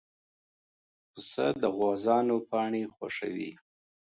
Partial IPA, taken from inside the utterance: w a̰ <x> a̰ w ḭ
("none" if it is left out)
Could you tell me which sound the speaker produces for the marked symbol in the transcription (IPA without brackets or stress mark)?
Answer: ʂ